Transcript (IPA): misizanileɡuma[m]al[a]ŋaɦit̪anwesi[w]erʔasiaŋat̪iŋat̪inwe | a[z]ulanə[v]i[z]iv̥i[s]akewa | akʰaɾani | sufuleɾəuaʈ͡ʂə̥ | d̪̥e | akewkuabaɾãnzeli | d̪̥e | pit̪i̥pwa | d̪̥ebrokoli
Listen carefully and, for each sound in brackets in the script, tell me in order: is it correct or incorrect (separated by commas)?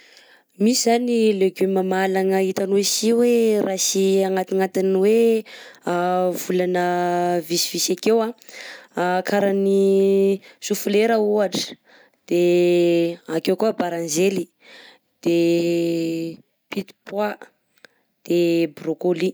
correct, correct, correct, incorrect, correct, incorrect, correct